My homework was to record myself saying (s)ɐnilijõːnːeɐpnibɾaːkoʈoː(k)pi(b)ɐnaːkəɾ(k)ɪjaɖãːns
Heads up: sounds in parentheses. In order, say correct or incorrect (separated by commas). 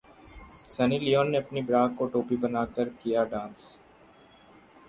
correct, incorrect, correct, correct